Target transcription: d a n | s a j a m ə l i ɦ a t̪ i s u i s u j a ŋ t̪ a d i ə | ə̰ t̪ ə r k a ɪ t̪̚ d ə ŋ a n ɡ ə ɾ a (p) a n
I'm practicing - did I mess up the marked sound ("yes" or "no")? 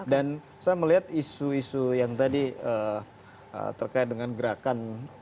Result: yes